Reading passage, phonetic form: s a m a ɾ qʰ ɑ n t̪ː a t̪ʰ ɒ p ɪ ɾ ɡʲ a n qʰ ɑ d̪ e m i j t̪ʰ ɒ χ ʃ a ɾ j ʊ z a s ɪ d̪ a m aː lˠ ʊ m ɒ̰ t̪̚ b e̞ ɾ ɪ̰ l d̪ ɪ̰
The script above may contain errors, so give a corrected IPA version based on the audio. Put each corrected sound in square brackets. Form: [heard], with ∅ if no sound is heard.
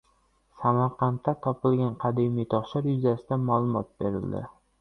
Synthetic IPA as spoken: s a m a ɾ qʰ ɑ n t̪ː a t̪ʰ ɒ p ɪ [l] ɡʲ a n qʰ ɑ d̪ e m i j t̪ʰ ɒ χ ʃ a ɾ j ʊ z a s ɪ d̪ a m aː lˠ ʊ m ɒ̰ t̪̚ b e̞ ɾ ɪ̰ l d̪ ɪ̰